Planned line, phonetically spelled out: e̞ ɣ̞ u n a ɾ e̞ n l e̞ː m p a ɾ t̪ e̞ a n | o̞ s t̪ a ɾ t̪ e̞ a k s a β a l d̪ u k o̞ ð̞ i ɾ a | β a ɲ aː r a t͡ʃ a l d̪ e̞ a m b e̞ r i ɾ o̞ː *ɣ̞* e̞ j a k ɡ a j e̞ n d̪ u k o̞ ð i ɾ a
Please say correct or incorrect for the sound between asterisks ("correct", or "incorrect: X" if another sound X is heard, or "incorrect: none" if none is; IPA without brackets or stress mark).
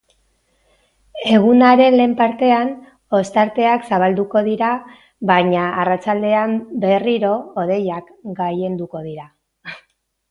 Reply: incorrect: ð̞